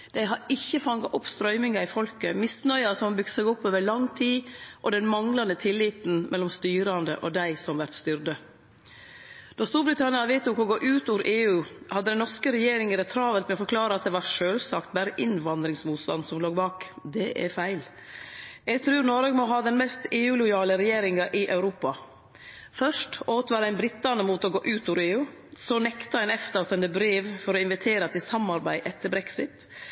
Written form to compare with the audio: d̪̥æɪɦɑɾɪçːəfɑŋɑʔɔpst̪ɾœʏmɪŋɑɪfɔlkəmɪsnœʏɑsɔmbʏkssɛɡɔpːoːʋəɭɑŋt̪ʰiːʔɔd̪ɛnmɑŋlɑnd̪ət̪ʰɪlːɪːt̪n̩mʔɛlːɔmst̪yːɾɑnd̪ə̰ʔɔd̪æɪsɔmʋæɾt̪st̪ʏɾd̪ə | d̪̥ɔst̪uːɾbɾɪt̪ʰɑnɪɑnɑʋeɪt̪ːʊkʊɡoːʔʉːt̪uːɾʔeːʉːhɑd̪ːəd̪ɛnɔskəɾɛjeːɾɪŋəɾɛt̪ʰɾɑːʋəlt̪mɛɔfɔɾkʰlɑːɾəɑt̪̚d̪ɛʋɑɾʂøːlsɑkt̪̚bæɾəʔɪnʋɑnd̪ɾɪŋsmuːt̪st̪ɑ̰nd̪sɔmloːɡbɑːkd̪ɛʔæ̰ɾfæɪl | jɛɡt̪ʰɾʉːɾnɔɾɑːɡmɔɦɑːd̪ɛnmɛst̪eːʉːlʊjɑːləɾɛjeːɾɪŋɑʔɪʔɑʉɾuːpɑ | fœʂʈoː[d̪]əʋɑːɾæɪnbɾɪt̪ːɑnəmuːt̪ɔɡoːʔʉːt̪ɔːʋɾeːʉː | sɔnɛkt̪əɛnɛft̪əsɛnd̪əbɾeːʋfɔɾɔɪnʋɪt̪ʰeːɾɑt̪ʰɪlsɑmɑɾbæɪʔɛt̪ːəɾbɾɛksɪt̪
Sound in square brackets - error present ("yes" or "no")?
yes